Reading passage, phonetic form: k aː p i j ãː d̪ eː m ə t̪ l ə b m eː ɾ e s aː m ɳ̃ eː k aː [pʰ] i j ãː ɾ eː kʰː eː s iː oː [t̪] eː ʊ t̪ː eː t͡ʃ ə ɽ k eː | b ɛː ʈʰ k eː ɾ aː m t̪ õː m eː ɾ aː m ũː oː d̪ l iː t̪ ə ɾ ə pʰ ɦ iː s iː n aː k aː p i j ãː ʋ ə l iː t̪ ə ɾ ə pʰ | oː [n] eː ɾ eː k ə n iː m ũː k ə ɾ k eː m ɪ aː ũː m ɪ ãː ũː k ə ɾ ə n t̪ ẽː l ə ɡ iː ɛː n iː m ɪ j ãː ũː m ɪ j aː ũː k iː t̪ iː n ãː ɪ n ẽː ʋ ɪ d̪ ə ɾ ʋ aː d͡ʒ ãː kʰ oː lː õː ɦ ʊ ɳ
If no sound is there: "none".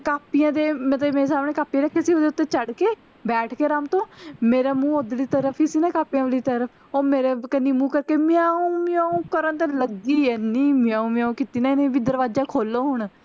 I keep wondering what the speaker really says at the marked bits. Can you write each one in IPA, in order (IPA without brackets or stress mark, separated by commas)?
p, d̪, m